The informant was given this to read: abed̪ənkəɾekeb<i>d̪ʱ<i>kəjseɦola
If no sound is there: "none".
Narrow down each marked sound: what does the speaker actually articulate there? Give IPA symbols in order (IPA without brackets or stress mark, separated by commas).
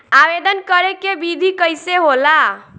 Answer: i, i